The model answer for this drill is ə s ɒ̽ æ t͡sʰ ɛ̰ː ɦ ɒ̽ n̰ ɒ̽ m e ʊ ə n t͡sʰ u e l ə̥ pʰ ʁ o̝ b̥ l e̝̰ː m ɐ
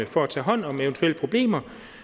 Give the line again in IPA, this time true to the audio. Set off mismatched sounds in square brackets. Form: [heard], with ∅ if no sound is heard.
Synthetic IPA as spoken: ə [f] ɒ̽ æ t͡sʰ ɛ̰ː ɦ ɒ̽ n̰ ɒ̽ m e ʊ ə n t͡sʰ u e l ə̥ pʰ ʁ o̝ b̥ l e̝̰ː m ɐ